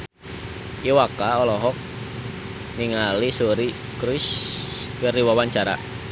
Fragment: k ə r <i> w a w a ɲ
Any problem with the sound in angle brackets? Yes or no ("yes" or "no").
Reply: no